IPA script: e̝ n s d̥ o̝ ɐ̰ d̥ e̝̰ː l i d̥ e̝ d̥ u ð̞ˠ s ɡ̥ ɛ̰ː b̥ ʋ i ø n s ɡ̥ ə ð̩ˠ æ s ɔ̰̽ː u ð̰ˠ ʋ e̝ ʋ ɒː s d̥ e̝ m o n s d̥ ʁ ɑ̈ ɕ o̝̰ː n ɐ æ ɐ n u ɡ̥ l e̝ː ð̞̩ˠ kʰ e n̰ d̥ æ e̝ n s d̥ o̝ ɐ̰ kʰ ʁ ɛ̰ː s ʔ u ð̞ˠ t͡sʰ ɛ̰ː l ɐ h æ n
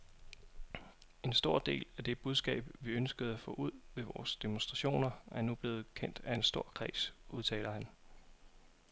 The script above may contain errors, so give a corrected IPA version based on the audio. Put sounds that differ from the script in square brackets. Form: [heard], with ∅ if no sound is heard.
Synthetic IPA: e̝ n s d̥ o̝ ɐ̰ d̥ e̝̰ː l [æ] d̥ e̝ [b̥] u ð̞ˠ s ɡ̥ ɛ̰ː b̥ ʋ i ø n s ɡ̥ ə ð̩ˠ æ [f] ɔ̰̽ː u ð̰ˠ ʋ e̝ ʋ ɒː s d̥ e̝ m o n s d̥ ʁ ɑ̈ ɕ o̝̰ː n ɐ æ ɐ n u [b̥] l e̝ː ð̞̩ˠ kʰ e n̰ d̥ æ e̝ n s d̥ o̝ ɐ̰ kʰ ʁ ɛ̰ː s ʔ u ð̞ˠ t͡sʰ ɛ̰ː l ɐ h æ n